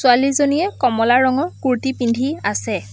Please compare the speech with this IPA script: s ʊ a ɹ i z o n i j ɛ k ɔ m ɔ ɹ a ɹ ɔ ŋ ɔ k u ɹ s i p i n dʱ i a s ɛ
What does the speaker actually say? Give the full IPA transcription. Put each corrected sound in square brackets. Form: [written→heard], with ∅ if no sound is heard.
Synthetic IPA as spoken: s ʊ a [ɹ→l] i z o n i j ɛ k ɔ m ɔ [ɹ→l] a ɹ ɔ ŋ ɔ k u ɹ [s→t] i p i n dʱ i a s ɛ

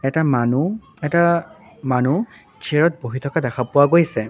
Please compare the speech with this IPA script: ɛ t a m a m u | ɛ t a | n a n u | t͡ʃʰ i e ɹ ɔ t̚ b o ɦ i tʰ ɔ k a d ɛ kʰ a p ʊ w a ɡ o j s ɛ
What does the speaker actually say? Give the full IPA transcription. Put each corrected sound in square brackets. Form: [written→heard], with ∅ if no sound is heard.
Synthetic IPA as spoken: ɛ t a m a [m→n] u | ɛ t a | [n→m] a n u | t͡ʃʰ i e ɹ ɔ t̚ b o ɦ i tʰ ɔ k a d ɛ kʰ a p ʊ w a ɡ o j s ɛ

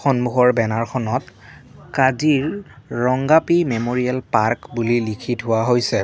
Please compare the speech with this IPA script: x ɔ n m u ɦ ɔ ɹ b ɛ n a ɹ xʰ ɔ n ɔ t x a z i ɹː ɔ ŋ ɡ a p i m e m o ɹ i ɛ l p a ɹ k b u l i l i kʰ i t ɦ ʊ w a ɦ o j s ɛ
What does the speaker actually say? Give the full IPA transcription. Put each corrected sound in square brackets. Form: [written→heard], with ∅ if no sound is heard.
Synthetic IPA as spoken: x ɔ n m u ɦ ɔ ɹ b ɛ n a ɹ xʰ ɔ n ɔ t [x→k] a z i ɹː ɔ ŋ ɡ a p i m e m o ɹ i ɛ l p a ɹ k b u l i l i kʰ i t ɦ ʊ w a ɦ o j s ɛ

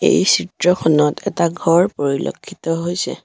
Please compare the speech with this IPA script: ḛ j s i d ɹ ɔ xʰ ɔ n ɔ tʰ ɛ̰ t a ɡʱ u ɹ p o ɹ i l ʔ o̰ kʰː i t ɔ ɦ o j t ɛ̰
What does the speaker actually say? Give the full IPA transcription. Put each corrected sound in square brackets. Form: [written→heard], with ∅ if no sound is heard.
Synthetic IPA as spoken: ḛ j s i [d→t] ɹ ɔ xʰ ɔ n ɔ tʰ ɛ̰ t a ɡʱ [u→ɔ] ɹ p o ɹ i l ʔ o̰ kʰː i t ɔ ɦ o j [t→s] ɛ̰

